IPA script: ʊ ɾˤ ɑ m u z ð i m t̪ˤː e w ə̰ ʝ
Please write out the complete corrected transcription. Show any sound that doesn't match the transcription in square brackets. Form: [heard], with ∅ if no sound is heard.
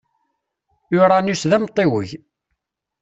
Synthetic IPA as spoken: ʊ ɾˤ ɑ [n] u [s] ð [æ] m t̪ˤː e w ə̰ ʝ